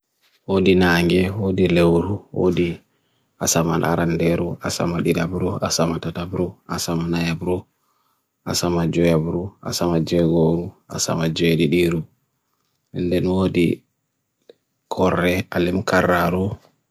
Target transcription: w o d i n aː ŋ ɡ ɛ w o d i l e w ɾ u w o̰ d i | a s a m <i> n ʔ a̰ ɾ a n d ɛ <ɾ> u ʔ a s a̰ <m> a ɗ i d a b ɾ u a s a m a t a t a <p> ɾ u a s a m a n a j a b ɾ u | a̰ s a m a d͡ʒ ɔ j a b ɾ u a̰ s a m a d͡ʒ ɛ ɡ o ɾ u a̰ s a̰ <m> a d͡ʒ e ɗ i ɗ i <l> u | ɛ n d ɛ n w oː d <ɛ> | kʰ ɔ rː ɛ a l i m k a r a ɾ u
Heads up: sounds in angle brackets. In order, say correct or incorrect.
incorrect, correct, correct, incorrect, correct, incorrect, incorrect

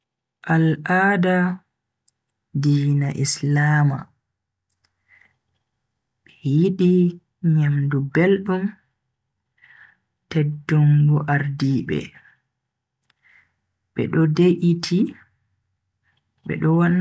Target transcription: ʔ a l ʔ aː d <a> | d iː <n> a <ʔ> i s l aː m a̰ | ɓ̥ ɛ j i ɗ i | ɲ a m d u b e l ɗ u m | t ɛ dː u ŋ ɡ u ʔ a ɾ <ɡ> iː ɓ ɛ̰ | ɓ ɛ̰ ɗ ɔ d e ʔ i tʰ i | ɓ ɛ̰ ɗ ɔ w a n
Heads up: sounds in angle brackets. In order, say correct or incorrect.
correct, correct, correct, incorrect

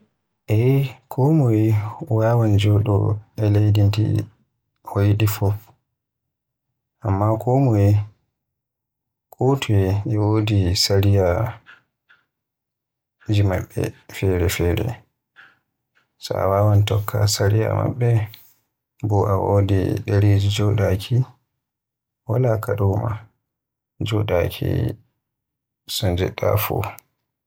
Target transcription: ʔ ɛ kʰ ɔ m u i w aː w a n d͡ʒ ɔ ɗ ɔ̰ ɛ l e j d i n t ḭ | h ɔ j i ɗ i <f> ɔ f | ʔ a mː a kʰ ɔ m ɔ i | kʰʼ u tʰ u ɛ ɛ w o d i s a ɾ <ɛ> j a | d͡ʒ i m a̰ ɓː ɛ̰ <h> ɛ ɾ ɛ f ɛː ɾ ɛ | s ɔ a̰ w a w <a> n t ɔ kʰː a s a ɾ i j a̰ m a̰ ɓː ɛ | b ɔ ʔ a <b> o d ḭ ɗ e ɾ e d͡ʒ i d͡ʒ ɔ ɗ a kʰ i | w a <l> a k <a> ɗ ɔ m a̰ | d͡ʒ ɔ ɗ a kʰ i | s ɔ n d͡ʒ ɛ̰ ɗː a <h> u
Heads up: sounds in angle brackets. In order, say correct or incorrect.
correct, incorrect, incorrect, correct, incorrect, correct, correct, incorrect

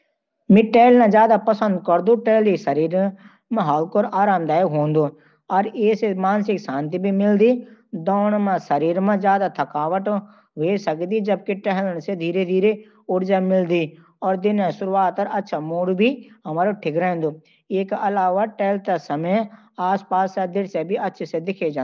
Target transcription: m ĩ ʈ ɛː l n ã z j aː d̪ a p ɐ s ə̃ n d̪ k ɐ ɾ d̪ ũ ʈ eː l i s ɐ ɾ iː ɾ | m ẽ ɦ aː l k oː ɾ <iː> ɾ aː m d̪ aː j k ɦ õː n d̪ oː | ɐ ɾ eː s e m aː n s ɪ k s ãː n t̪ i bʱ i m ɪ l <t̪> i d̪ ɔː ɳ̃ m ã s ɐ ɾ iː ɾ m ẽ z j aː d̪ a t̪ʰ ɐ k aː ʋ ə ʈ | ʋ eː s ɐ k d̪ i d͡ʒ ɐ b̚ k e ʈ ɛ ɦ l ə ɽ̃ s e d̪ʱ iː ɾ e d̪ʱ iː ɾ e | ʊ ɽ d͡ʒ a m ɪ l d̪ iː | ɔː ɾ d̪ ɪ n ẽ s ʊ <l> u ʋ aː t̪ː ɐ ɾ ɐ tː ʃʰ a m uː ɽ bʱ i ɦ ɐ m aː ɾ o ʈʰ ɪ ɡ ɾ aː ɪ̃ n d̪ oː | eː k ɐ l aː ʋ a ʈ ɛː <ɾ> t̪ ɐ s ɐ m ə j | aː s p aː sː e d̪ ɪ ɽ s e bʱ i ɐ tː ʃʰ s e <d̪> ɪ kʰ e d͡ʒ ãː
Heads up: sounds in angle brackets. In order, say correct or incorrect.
incorrect, incorrect, incorrect, incorrect, correct

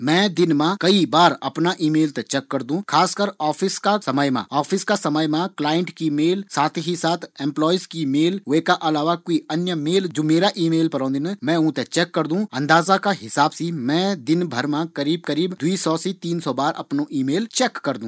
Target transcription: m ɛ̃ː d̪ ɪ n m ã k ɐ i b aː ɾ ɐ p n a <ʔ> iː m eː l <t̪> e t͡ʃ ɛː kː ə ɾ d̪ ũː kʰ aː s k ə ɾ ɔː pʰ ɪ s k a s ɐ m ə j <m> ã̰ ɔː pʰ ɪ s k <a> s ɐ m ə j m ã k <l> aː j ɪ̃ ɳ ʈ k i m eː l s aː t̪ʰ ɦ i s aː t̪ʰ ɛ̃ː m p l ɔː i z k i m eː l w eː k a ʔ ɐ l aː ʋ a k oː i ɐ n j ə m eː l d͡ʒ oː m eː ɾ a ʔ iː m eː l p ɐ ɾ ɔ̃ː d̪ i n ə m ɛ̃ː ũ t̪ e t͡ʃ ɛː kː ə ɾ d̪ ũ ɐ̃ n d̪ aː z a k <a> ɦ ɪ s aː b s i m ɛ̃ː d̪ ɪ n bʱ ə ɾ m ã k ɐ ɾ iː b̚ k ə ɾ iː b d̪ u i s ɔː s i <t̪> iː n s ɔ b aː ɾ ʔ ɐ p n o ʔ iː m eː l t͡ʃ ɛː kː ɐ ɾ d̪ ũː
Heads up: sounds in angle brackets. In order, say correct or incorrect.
correct, correct, correct, correct, correct, correct, correct

